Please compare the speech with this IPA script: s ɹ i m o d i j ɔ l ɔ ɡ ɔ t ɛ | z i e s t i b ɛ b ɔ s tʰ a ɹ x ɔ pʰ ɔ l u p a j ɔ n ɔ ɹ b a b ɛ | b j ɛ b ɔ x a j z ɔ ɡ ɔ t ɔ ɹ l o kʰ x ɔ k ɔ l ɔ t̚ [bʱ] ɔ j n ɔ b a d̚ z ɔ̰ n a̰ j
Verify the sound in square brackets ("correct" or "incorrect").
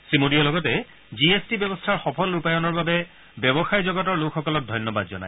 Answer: incorrect